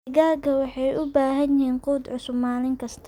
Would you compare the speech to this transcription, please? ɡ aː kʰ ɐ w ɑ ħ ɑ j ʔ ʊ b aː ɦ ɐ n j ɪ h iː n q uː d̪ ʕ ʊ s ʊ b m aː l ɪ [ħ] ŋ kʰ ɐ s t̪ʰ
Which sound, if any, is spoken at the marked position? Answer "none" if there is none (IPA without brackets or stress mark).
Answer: none